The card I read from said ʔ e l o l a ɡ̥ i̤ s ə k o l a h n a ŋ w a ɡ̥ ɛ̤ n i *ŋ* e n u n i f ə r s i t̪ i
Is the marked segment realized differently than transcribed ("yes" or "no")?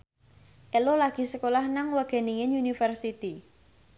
no